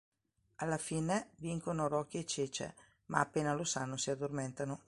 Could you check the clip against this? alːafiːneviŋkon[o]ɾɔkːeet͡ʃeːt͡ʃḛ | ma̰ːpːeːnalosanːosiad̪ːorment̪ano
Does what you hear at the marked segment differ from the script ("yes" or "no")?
no